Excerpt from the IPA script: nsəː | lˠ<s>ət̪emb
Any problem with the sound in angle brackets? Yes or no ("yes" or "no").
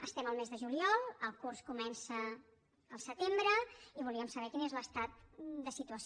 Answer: no